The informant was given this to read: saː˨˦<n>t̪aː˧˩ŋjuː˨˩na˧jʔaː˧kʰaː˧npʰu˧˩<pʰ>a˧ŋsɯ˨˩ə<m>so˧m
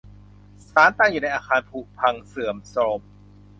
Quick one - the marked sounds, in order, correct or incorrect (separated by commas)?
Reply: correct, correct, correct